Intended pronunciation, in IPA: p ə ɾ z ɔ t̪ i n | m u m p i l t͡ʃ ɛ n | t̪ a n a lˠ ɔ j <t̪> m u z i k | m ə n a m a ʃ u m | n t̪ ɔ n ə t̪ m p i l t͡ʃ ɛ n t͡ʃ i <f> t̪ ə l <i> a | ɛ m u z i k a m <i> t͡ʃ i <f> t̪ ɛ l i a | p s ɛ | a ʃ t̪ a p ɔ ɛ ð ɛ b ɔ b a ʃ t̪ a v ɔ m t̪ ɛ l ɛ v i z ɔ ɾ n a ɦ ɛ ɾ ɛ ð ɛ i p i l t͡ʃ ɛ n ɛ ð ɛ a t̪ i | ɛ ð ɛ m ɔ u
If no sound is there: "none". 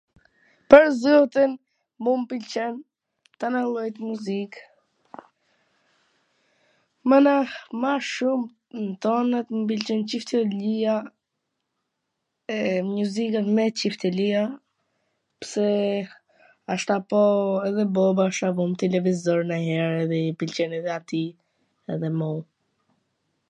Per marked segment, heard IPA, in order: t̪, f, i, ɛ, f

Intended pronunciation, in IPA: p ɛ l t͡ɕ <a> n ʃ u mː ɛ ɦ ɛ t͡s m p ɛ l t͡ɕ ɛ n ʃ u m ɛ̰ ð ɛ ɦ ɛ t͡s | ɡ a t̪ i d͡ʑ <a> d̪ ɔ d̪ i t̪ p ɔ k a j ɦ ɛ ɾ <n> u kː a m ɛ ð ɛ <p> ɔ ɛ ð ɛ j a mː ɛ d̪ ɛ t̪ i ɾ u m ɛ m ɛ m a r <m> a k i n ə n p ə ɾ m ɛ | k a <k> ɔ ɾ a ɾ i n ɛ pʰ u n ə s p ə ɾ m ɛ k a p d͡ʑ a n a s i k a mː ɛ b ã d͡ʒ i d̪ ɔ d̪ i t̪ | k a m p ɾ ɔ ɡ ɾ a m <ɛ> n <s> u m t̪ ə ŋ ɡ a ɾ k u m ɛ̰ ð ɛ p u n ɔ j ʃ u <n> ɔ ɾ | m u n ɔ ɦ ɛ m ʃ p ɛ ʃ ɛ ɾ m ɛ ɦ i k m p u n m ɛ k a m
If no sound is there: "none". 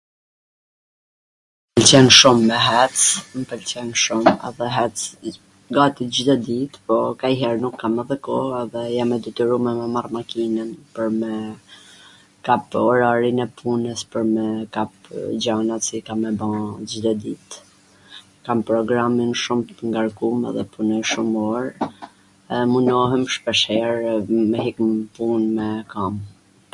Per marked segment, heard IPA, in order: ɛ, i, n, k, m, p, i, ʃ, m

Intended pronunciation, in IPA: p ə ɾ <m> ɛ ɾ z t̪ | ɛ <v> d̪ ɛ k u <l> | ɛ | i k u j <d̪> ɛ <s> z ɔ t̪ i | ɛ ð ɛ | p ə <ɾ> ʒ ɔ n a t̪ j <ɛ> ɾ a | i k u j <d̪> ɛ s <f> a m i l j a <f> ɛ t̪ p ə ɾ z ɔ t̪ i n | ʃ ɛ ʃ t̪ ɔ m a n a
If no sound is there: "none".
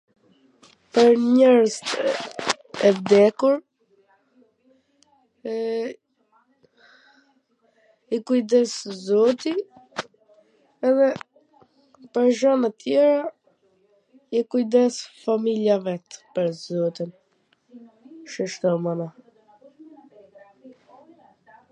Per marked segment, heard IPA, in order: ɲ, v, ɾ, d̪, s, ɾ, ɛ, d̪, f, v

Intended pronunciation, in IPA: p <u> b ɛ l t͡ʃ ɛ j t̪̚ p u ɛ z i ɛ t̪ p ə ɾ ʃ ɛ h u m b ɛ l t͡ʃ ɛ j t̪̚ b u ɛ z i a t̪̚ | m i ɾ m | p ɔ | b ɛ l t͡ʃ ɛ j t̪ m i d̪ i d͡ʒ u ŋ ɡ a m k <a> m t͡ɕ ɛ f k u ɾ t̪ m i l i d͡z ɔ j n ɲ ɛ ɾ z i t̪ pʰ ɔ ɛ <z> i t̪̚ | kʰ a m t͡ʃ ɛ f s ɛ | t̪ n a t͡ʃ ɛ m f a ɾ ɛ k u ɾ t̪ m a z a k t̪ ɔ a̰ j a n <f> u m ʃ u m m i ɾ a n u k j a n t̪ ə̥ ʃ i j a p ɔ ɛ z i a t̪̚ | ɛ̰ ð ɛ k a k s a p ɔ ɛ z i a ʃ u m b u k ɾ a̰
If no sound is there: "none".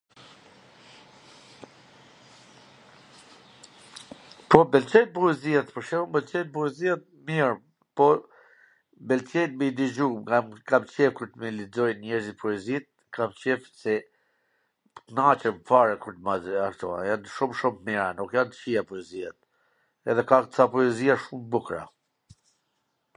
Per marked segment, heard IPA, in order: ɔ, a, z, ʃ

